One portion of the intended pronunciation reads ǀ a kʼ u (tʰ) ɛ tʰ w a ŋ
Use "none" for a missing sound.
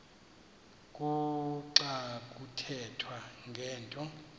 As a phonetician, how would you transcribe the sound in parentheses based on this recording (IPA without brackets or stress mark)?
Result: tʰ